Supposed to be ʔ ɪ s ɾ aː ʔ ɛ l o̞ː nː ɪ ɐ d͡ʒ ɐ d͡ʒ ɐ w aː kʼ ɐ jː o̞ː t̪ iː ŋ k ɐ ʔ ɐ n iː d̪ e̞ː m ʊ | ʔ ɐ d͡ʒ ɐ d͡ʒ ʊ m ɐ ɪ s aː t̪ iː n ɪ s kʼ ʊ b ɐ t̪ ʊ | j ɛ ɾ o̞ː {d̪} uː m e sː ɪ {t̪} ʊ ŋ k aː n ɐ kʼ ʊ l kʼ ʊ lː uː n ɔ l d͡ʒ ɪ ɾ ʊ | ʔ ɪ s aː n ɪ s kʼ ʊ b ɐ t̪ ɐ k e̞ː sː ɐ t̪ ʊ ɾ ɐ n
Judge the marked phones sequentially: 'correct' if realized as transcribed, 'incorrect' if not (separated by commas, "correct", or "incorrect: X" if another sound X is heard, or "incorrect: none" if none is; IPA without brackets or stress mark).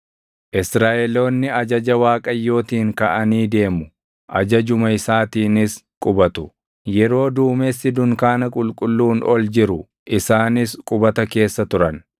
correct, incorrect: d̪